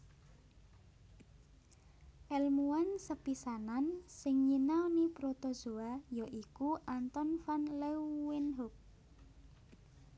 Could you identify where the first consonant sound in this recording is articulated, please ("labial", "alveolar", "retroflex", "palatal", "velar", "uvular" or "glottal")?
glottal